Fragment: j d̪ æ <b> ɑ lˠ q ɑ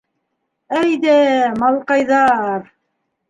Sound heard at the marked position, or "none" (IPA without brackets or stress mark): m